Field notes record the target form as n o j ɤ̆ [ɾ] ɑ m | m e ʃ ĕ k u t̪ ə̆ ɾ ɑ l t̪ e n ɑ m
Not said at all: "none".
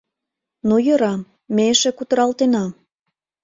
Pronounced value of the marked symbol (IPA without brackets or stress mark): ɾ